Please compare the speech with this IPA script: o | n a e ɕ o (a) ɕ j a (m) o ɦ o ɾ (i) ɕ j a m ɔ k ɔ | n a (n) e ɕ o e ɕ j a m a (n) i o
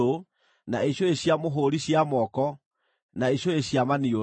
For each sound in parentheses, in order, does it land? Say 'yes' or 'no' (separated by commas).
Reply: no, yes, yes, no, yes